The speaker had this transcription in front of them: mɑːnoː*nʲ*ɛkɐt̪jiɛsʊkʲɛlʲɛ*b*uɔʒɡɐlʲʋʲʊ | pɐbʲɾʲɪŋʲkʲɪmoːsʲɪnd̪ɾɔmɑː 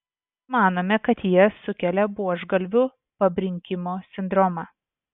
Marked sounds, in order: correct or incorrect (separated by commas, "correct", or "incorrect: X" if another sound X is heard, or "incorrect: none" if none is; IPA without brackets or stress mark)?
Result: incorrect: mʲ, correct